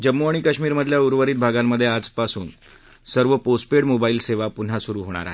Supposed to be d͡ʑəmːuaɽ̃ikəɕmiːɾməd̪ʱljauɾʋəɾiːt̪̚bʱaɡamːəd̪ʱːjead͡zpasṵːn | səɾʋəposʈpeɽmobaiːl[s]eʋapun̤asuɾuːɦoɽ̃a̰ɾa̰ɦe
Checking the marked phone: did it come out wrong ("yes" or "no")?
no